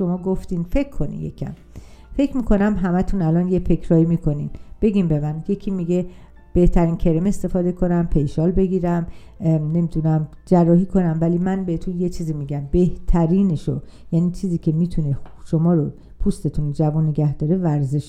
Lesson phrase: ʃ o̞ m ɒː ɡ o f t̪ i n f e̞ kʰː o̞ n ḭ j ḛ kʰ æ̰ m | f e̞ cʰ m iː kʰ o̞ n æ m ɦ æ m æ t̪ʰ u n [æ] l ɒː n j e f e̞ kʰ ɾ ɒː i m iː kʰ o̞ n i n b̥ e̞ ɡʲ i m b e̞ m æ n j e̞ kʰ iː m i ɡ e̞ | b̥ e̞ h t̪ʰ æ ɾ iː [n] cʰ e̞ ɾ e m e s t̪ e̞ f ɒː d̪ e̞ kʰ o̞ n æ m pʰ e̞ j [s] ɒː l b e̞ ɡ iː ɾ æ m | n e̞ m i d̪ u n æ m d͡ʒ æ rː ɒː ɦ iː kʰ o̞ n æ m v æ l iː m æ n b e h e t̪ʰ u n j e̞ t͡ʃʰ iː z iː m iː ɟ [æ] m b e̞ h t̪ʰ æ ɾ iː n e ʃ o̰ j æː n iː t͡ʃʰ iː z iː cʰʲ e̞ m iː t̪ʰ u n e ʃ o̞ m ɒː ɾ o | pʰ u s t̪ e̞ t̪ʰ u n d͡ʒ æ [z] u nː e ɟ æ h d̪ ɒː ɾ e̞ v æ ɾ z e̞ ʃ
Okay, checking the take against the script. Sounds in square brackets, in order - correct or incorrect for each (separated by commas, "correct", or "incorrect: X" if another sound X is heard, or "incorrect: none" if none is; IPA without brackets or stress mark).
correct, correct, incorrect: ʃ, correct, incorrect: v